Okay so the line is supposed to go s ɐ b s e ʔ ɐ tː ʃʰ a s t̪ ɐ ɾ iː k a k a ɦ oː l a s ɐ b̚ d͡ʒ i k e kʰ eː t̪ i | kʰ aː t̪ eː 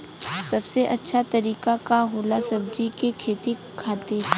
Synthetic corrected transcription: s ɐ b s e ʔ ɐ tː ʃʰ a t̪ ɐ ɾ iː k a k a ɦ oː l a s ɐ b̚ d͡ʒ i k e kʰ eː t̪ i | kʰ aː t̪ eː